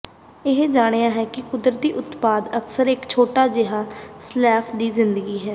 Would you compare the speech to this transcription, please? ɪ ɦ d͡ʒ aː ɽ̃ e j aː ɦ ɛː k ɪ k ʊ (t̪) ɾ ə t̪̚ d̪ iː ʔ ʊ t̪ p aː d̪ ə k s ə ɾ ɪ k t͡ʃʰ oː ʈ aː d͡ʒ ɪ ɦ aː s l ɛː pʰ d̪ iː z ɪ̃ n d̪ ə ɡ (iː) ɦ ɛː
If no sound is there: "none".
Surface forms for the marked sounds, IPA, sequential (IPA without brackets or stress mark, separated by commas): d̪, iː